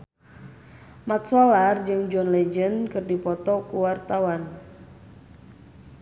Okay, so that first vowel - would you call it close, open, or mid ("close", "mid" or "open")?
open